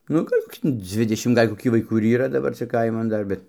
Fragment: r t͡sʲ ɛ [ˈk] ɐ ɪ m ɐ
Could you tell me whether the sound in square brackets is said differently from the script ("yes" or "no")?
no